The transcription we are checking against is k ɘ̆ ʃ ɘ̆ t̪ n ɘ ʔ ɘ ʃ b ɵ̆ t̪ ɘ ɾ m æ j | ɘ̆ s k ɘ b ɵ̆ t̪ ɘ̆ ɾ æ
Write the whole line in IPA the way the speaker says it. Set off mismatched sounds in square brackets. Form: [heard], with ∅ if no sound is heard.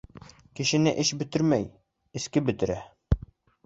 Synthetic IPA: k ɘ̆ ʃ ɘ̆ [∅] n ɘ ʔ ɘ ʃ b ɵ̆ t̪ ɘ ɾ m æ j | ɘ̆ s k ɘ b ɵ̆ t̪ ɘ̆ ɾ æ